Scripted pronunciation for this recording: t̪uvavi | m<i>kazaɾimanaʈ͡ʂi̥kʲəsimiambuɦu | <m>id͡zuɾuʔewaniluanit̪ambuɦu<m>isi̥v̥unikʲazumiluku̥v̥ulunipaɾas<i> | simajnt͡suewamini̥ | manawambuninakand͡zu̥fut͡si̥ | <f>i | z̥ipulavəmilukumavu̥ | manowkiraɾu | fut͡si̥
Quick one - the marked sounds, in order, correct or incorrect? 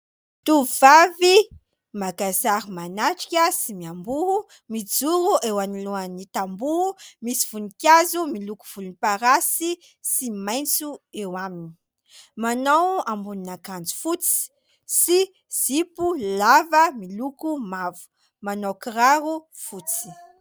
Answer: incorrect: a, correct, correct, correct, incorrect: s

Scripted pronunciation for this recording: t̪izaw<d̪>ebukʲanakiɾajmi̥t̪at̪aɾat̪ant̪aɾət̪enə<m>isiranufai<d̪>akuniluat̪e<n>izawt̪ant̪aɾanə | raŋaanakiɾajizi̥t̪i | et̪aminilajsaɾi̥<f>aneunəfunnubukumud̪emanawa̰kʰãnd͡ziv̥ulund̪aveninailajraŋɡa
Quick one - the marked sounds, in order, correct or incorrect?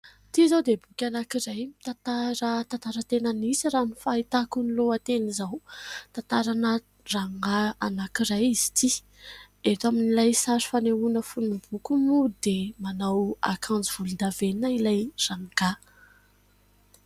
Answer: correct, incorrect: n, incorrect: t̪, correct, correct

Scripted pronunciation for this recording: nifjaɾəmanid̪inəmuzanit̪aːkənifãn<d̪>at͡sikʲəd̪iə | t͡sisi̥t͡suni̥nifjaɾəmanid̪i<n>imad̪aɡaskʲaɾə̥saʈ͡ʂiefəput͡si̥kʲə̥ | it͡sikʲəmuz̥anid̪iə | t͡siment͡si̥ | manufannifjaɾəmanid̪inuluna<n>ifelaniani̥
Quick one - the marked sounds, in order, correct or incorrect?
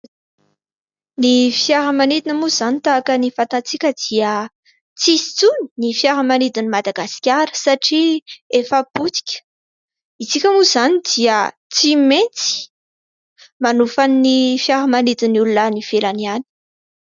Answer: incorrect: t̪, correct, correct

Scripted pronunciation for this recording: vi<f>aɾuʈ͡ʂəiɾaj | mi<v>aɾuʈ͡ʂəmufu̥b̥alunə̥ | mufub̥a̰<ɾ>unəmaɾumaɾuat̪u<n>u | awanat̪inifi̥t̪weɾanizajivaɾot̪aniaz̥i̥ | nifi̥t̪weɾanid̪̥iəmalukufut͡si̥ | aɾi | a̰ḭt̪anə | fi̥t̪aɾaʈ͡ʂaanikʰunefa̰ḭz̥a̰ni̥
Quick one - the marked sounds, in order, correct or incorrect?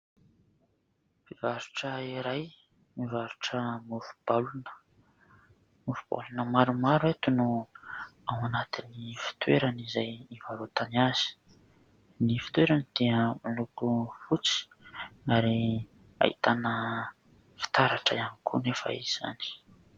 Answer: incorrect: v, correct, incorrect: l, correct

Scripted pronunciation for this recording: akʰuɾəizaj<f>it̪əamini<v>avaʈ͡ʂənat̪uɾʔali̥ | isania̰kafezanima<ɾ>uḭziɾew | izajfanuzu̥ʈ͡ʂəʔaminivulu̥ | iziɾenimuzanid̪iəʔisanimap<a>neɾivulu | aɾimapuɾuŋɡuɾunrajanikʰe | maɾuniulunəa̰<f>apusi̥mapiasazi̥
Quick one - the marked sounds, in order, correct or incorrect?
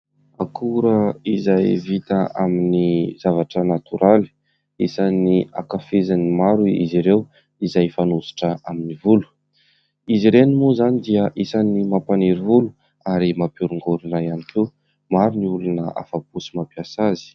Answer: incorrect: v, incorrect: z, correct, correct, correct

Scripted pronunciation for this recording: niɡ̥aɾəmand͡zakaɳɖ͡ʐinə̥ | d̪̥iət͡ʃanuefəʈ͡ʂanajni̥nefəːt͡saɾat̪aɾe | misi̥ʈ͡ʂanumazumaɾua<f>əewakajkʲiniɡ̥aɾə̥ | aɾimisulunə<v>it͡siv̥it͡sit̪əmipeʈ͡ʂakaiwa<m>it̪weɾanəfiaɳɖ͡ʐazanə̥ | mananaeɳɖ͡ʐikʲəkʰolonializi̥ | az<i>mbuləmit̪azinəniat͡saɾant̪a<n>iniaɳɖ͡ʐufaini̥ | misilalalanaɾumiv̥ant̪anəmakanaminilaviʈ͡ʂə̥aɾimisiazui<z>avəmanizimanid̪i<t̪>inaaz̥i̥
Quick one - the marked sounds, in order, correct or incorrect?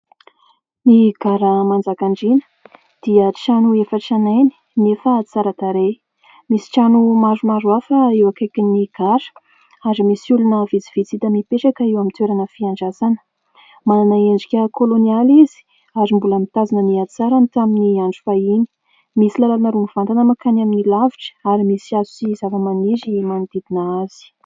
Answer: correct, correct, correct, correct, incorrect: m, correct, incorrect: d̪

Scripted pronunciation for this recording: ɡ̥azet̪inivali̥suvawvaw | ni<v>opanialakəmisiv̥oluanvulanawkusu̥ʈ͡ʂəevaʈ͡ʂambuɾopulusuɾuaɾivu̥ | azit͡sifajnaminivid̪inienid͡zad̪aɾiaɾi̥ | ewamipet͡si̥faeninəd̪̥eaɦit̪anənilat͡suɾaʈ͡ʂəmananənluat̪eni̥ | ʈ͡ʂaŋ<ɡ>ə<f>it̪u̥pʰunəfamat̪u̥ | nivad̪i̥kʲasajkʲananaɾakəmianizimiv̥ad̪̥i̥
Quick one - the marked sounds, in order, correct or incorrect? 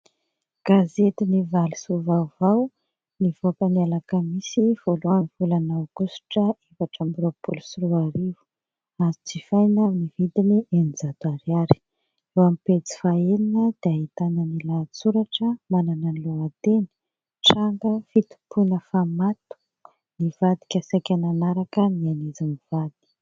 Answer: correct, correct, correct

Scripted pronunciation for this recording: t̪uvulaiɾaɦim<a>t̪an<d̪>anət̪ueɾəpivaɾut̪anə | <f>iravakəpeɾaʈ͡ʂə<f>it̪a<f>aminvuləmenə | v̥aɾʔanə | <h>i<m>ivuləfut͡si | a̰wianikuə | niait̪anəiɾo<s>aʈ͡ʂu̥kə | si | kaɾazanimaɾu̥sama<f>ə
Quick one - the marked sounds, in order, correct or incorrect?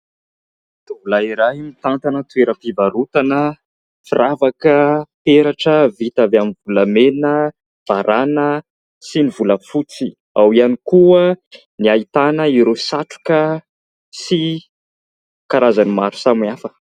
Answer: incorrect: i, incorrect: t̪, correct, incorrect: v, incorrect: v, incorrect: s, incorrect: n, correct, correct

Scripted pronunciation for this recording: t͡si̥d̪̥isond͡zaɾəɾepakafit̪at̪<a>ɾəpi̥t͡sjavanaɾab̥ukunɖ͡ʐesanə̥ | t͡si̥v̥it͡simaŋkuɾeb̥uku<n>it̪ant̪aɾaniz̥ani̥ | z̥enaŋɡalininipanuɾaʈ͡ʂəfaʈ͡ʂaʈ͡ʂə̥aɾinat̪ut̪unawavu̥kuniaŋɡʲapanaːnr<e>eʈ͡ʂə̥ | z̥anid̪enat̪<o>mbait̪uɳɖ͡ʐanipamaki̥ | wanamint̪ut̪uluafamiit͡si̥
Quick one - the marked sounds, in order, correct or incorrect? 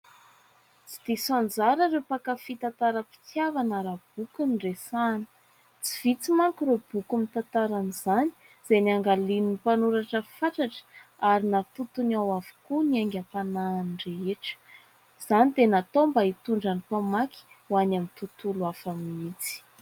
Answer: correct, incorrect: m, correct, correct

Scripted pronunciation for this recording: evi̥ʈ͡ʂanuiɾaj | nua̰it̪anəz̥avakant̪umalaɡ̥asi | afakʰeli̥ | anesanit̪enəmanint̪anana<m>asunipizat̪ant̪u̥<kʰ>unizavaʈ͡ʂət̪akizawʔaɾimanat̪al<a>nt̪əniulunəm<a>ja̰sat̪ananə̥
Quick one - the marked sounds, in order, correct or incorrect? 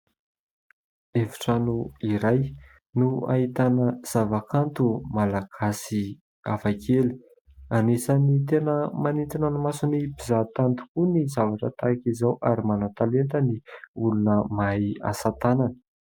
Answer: correct, incorrect: k, incorrect: e, correct

